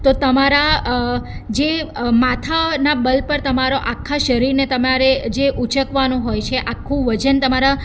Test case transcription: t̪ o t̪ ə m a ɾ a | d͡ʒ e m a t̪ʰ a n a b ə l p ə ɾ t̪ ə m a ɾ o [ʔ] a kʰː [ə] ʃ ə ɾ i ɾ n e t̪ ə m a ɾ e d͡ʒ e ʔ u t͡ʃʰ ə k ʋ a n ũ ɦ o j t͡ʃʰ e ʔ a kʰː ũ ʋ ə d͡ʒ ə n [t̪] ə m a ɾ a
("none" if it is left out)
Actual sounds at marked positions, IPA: ʔ, a, t̪

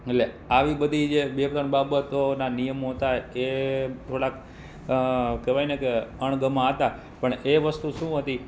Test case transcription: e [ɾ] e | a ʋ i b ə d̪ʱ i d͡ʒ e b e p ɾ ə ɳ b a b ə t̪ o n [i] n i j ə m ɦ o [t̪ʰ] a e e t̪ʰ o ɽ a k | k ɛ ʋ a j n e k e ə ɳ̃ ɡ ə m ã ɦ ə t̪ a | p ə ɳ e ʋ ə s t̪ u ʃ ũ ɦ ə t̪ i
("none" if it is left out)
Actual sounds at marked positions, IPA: l, a, t̪

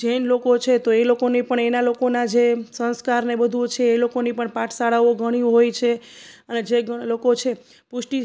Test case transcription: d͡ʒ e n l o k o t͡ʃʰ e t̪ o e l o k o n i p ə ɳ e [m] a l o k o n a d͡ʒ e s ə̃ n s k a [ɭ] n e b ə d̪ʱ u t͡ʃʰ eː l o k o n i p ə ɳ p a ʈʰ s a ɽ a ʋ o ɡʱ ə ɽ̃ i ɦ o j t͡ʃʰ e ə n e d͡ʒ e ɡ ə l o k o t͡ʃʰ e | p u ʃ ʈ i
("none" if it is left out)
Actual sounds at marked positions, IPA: n, ɾ

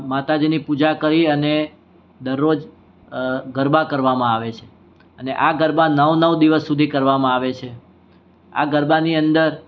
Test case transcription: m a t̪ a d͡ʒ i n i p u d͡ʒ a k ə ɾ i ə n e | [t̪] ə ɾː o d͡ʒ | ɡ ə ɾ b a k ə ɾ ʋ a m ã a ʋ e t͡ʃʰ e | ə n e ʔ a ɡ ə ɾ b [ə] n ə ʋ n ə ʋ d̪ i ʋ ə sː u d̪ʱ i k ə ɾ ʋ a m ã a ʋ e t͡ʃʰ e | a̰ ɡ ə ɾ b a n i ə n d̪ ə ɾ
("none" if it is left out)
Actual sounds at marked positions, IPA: d̪, a

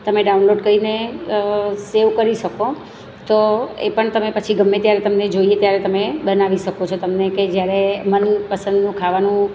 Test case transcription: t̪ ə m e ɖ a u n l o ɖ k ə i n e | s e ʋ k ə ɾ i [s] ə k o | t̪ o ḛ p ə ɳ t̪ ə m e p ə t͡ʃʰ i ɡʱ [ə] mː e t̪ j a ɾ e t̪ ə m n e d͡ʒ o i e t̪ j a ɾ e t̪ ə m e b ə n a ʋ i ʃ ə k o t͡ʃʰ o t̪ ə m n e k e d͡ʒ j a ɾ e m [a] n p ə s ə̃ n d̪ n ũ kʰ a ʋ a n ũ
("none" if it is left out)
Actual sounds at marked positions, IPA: ʃ, ə, ə

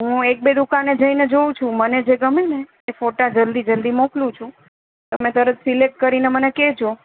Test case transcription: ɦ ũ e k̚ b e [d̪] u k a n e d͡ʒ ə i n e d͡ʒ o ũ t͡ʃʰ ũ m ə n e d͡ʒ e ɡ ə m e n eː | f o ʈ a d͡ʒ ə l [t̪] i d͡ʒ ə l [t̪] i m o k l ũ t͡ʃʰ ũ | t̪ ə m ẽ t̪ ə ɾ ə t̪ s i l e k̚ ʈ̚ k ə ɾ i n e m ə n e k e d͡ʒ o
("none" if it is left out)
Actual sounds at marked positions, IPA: d̪, d̪, d̪

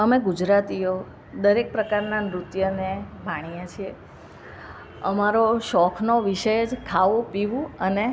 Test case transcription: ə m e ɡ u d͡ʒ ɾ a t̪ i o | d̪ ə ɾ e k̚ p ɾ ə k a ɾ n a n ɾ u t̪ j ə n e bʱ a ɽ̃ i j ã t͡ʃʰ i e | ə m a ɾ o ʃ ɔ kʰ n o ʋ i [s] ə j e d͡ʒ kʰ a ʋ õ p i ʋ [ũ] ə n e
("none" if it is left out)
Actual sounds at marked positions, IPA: ʃ, ũ

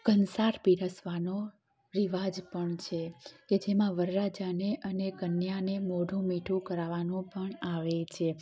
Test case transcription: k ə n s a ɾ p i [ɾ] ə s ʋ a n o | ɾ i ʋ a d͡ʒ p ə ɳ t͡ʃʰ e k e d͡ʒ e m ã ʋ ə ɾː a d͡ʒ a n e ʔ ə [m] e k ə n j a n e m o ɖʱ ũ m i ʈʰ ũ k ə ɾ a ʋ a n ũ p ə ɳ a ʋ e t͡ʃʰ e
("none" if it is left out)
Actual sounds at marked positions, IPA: ɾ, n

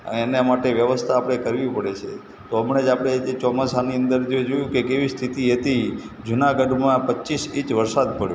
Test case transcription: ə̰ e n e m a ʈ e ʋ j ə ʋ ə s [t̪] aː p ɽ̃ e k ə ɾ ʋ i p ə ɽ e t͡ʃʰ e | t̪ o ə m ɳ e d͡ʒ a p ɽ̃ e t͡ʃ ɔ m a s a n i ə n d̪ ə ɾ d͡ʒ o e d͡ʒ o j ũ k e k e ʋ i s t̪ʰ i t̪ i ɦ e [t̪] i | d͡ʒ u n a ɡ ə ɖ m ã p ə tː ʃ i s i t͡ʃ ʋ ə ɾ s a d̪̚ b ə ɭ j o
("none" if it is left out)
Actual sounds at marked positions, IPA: t̪ʰ, t̪

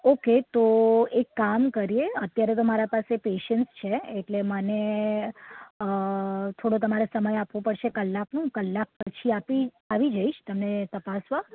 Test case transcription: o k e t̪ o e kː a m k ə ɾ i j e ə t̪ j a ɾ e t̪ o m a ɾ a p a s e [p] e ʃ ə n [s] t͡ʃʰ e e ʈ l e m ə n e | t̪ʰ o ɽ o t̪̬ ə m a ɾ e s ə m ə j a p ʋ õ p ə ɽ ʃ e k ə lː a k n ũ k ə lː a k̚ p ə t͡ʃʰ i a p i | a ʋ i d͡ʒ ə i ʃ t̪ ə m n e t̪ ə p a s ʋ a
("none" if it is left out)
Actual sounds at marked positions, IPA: p, s

